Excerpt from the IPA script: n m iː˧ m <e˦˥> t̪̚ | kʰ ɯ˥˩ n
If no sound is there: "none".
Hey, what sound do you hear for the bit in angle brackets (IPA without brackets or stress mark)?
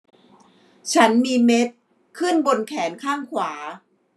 e˦˥